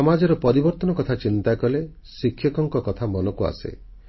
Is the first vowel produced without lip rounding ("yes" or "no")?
no